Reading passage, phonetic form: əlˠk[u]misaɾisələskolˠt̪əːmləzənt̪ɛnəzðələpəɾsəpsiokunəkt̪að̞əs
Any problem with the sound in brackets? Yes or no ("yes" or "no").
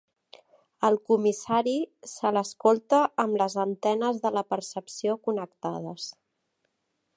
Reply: no